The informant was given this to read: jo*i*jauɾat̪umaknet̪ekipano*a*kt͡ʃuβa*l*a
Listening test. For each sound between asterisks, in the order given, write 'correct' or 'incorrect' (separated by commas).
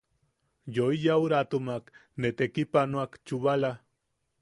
correct, correct, correct